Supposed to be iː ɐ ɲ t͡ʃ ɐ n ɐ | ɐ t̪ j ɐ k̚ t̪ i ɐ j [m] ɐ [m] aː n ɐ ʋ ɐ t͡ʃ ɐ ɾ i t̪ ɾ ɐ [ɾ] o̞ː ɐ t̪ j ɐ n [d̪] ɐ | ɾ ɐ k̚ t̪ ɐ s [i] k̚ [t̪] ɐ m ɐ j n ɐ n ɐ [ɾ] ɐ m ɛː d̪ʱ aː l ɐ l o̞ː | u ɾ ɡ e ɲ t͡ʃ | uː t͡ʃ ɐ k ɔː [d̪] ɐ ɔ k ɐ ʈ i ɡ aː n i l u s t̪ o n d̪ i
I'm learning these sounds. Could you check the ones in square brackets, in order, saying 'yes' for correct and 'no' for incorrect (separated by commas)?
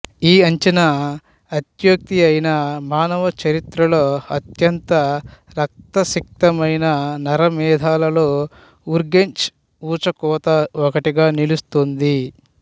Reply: no, yes, no, no, yes, yes, yes, no